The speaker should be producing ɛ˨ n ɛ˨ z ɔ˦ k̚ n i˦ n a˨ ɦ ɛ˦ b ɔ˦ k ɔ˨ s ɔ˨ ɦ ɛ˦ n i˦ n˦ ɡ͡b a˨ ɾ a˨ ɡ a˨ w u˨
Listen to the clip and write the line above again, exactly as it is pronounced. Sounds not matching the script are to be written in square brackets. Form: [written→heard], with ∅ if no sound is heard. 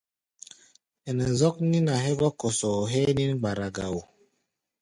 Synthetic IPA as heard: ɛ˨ n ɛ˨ z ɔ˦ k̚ n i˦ n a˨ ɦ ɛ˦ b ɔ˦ k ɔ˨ s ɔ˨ ɦ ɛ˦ n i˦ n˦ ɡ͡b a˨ ɾ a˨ ɡ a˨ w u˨